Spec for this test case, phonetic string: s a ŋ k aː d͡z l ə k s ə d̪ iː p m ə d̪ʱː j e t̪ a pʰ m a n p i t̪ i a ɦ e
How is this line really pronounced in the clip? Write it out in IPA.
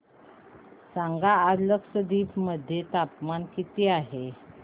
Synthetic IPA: s a ŋ ɡ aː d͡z l ə k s ə d̪ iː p m ə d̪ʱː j e t̪ a p m a n k i t̪ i a ɦ e